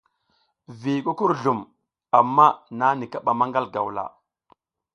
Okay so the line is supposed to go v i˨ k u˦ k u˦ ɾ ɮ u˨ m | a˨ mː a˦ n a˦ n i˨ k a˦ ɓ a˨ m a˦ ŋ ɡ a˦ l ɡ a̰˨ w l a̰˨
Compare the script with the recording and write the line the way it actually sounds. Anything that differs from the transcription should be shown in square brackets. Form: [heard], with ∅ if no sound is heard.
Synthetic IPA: v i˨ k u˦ k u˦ ɾ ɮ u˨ m | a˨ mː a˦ n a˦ n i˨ k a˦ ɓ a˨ m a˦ ŋ ɡ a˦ l ɡ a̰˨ w l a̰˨